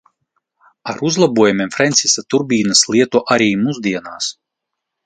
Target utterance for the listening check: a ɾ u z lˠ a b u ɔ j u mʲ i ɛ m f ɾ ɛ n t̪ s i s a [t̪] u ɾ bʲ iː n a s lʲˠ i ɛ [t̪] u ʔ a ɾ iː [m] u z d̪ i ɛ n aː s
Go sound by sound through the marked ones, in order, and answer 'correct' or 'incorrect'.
correct, correct, correct

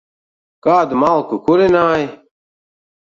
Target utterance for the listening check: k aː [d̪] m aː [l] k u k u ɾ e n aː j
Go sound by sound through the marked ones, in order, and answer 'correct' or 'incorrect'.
correct, correct

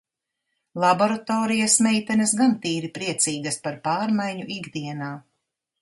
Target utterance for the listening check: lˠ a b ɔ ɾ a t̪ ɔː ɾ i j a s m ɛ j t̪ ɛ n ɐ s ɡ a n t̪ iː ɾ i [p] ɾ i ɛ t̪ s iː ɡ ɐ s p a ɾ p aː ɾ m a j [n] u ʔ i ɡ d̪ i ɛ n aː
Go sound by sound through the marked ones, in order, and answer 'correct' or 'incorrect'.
correct, incorrect: ɲ

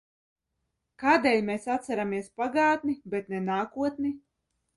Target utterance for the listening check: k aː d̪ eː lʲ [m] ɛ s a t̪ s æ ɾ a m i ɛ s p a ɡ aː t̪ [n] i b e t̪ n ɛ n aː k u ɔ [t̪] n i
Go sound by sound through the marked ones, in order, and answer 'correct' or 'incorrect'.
correct, correct, correct

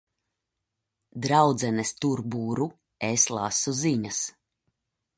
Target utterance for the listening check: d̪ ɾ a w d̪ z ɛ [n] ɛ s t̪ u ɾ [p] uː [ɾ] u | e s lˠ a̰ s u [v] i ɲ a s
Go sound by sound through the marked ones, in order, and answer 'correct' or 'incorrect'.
correct, incorrect: b, correct, incorrect: z

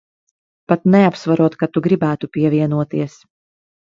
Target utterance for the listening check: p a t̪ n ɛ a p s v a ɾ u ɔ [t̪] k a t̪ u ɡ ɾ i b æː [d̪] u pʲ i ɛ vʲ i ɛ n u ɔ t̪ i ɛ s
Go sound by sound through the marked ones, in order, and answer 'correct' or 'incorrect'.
correct, incorrect: t̪

